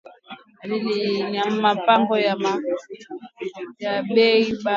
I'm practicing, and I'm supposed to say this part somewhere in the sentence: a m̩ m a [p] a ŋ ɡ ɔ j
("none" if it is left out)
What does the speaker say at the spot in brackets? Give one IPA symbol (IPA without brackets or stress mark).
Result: p